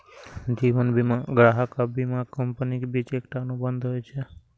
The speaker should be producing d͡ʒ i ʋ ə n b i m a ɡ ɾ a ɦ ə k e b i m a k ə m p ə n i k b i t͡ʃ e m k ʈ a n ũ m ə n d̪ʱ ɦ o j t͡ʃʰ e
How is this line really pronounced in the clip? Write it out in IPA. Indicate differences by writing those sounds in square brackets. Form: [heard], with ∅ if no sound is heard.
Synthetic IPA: d͡ʒ i ʋ ə n b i m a ɡ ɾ a ɦ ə k [a] b i m a k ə m p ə n i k b i t͡ʃ e [∅] k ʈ a n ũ [b] ə n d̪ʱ ɦ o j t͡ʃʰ e